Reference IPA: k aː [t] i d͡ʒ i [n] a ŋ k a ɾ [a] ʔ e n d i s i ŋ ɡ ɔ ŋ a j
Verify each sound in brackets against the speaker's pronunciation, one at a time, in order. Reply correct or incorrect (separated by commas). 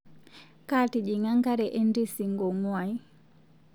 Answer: correct, incorrect, incorrect